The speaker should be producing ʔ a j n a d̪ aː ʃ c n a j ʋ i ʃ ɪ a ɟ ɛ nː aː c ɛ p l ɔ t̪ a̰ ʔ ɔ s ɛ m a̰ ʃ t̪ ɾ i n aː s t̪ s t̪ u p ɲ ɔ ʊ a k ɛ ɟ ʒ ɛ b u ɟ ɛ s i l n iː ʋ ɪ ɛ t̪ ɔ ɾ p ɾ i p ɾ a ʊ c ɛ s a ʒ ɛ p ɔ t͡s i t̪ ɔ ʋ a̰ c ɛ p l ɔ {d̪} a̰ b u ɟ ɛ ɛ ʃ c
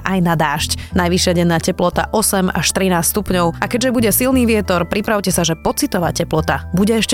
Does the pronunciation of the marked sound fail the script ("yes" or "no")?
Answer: yes